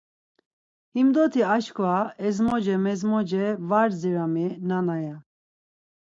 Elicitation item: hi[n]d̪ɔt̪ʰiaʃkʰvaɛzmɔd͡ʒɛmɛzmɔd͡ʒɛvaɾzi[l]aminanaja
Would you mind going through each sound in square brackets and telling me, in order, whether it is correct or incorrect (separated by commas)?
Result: incorrect, incorrect